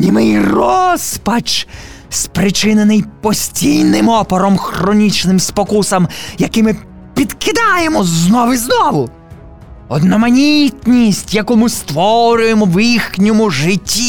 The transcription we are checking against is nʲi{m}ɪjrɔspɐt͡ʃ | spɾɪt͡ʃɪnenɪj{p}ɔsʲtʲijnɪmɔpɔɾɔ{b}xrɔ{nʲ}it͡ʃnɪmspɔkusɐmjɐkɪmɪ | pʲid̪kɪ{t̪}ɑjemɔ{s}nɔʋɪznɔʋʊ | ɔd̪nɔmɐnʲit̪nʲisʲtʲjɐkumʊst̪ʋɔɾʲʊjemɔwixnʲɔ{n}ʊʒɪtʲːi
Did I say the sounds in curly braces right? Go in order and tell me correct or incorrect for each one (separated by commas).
correct, correct, incorrect, correct, incorrect, incorrect, incorrect